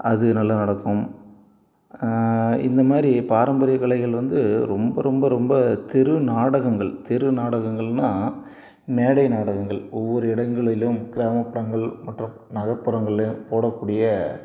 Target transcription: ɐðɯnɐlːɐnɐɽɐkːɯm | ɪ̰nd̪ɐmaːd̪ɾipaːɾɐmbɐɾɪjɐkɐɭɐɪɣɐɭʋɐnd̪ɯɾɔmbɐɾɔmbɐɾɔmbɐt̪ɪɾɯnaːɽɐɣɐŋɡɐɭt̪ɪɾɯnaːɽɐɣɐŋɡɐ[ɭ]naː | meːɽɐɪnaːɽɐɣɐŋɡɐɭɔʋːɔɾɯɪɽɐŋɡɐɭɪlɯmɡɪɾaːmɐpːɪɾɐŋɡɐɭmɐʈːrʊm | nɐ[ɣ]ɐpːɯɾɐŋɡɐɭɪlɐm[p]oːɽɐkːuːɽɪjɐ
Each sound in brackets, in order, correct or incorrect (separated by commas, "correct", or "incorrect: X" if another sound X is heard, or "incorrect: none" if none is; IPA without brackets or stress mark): correct, correct, correct